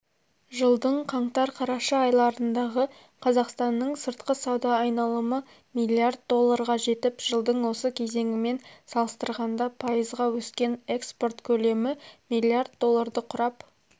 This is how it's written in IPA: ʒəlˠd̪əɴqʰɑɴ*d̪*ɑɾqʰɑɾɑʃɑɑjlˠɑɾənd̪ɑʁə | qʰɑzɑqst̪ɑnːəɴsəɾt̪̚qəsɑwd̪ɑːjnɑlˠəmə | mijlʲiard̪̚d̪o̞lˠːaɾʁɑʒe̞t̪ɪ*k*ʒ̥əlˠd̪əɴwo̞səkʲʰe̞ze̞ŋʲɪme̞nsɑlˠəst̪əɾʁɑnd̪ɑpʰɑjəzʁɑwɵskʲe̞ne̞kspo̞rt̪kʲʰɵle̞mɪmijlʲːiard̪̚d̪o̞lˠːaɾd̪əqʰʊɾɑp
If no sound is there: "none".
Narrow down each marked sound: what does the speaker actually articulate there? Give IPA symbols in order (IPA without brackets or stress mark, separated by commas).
t̪, p